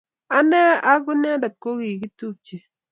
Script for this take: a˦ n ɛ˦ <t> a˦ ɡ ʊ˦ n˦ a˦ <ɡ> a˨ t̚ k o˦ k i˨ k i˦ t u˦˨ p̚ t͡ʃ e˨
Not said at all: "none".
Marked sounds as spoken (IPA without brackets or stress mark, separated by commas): none, d